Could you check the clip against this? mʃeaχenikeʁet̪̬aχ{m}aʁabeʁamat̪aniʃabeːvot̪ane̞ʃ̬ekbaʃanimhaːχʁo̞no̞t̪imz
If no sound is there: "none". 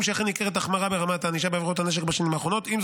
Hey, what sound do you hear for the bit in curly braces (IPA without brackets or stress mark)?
m